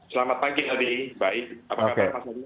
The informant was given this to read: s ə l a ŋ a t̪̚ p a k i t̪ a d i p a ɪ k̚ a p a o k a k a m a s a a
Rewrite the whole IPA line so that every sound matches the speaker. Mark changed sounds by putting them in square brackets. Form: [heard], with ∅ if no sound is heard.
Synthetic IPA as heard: s ə l a [m] a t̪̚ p a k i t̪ a d i [b] a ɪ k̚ a p a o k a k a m a s a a